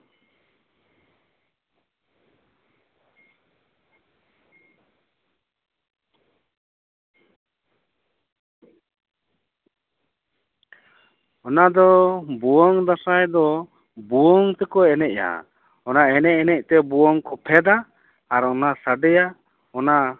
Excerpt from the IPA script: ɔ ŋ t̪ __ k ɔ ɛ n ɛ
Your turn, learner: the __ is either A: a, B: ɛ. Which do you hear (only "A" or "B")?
B